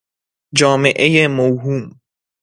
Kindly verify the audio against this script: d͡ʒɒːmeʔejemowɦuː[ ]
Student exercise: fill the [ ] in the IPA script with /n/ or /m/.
m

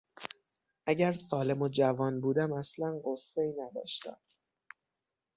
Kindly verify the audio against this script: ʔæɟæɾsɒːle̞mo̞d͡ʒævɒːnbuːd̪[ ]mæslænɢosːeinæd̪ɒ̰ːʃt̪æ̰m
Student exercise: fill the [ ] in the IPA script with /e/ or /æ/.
æ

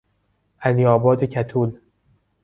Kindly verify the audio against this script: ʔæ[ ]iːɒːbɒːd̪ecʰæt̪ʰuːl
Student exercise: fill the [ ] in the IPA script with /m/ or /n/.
n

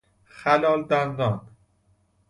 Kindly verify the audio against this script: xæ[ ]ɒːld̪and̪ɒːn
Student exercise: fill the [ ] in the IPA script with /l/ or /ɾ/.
l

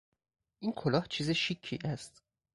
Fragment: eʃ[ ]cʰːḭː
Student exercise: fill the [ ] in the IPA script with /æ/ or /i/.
i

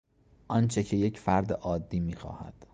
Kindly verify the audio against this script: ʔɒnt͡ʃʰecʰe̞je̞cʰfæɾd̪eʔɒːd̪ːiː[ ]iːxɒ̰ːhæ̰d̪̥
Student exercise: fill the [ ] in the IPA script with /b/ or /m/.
m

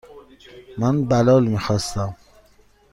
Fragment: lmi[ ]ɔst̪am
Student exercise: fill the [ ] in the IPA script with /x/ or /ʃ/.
x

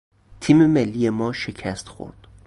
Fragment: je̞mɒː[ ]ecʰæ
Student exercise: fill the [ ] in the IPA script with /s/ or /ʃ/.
ʃ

